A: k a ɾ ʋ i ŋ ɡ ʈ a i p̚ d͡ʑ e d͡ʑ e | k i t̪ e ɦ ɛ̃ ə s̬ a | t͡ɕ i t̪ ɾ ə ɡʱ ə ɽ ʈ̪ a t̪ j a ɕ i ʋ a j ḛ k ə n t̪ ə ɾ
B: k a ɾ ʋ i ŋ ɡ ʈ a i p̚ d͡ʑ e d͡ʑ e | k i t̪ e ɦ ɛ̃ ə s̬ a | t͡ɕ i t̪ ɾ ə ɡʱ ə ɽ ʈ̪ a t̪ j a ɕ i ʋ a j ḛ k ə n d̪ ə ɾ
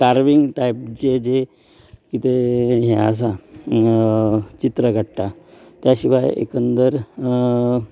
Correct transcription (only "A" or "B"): B